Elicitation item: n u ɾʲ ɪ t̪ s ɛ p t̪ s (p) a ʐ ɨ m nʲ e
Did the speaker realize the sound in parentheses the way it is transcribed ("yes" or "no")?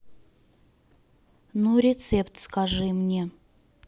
no